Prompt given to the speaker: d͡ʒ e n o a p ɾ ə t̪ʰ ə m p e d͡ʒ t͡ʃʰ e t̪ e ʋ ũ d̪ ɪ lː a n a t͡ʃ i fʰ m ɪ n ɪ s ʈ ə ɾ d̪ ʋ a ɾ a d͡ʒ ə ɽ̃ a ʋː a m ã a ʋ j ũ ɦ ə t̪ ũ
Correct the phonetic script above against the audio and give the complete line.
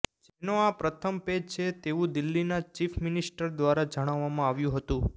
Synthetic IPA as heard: d͡ʒ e n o a p ɾ ə t̪ʰ ə m p e d͡ʒ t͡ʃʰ e t̪ e ʋ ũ d̪ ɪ lː i n a t͡ʃ i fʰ m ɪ n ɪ s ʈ ə ɾ d̪ ʋ a ɾ a d͡ʒ ə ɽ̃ a ʋː a m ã a ʋ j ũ ɦ ə t̪ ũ

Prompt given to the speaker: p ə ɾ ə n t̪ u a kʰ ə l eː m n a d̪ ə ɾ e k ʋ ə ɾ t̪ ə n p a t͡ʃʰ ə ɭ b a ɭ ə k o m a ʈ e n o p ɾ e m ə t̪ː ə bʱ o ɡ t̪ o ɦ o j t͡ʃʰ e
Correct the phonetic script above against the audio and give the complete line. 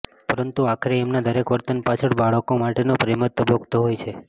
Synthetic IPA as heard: p ə ɾ ə n t̪ u a kʰ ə ɾ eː m n a d̪ ə ɾ e k ʋ ə ɾ t̪ ə n p a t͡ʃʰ ə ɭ b a ɭ ə k o m a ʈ e n o p ɾ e m ə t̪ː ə bʱ o ɡ t̪ o ɦ o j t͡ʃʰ e

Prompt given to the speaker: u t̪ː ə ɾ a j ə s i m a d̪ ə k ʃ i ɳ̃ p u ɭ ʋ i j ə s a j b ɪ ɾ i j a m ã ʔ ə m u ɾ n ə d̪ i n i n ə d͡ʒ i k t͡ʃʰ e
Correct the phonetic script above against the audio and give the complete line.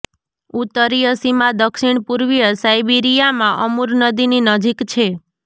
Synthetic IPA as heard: u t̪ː ə ɾ i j ə s i m a d̪ ə k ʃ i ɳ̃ p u ɾ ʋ i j ə s a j b i ɾ i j a m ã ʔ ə m u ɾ n ə d̪ i n i n ə d͡ʒ i k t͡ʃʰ e

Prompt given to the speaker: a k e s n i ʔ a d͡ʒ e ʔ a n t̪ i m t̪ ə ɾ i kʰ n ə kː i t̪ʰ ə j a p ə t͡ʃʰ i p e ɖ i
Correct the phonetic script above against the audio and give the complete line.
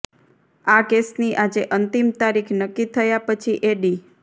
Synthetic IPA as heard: a k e s n i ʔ a d͡ʒ e ʔ ə n t̪ i m t̪ a ɾ i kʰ n ə kː i t̪ʰ ə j a p ə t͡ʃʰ i ʔ e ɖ i

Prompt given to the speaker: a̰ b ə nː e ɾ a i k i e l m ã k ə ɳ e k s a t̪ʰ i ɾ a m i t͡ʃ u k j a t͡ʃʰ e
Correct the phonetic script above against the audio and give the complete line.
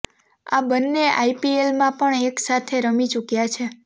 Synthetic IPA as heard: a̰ b ə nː e a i p i e l m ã p ə ɳ e k s a t̪ʰ e ɾ ə m i t͡ʃ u k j a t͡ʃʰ e

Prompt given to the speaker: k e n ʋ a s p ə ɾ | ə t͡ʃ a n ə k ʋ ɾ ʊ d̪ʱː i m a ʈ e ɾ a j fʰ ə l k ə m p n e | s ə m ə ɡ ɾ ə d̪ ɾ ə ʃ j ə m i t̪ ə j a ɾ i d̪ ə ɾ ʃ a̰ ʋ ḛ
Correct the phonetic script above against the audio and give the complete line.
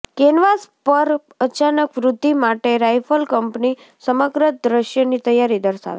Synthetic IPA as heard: k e n ʋ a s p ə ɾ | ə t͡ʃ a n ə k ʋ ɾ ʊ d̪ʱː i m a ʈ e ɾ a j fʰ ə l k ə m p n i | s ə m ə ɡ ɾ ə d̪ ɾ ə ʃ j ə n i t̪ ə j a ɾ i d̪ ə ɾ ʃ a̰ ʋ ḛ

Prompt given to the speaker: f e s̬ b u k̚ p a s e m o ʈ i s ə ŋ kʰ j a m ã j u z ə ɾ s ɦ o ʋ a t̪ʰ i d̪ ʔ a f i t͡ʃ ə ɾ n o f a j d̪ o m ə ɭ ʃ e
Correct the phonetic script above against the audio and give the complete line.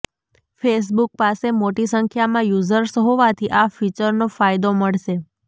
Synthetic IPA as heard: f e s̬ b u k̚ p a s e m o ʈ i s ə ŋ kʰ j a m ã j u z ə ɾ s ɦ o ʋ a t̪ʰ i ʔ a f i t͡ʃ ə ɾ n o f a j d̪ o m ə ɭ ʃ e

